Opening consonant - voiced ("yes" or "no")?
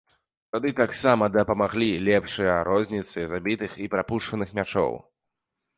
no